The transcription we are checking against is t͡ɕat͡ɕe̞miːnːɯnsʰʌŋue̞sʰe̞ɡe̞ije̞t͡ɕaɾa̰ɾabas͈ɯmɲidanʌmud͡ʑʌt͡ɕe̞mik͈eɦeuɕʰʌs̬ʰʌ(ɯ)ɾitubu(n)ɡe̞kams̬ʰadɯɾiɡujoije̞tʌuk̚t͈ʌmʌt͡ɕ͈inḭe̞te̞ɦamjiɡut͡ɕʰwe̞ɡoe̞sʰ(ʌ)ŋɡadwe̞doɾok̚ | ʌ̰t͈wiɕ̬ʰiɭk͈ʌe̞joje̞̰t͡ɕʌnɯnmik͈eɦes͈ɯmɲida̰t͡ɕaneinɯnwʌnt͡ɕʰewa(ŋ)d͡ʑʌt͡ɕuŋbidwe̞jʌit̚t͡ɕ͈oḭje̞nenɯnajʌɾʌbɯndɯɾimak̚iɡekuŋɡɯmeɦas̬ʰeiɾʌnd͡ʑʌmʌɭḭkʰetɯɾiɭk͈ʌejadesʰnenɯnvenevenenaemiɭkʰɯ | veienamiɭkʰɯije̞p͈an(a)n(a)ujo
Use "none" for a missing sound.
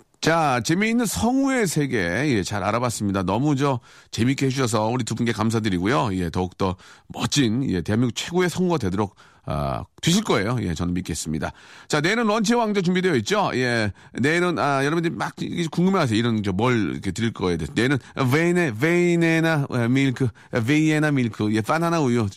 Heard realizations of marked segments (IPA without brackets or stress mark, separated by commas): u, n, ʌ, ŋ, a, a